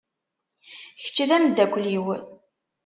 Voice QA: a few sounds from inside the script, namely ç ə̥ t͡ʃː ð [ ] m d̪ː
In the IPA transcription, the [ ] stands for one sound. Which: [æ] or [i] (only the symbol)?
æ